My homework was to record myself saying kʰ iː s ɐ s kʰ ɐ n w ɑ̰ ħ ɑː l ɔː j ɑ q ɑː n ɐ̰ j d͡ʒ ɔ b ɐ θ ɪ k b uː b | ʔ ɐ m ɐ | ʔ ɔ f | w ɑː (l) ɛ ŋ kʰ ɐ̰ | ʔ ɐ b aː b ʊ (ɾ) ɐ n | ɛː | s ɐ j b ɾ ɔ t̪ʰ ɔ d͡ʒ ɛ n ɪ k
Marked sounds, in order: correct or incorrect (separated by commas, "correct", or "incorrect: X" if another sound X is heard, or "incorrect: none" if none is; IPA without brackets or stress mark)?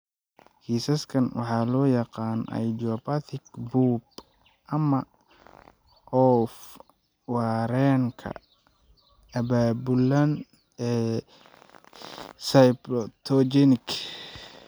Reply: incorrect: ɾ, incorrect: l